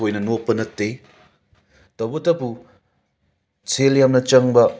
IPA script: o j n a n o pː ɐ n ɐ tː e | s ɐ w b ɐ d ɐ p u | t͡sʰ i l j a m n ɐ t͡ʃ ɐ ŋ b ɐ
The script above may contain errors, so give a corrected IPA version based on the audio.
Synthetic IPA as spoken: o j n ɐ n o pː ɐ n ɐ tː e | t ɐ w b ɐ t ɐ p u | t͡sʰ e l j a m n ɐ t͡ʃ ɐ ŋ b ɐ